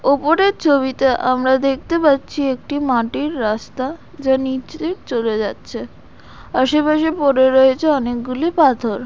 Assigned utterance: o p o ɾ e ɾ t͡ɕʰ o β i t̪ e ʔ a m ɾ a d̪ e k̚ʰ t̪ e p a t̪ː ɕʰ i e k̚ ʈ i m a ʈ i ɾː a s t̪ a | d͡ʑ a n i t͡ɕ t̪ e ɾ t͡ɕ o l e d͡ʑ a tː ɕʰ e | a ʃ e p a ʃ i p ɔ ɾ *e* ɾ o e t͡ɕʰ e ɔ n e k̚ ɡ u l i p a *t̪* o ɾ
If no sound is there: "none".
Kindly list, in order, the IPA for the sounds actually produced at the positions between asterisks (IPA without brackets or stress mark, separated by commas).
e, t̪ʰ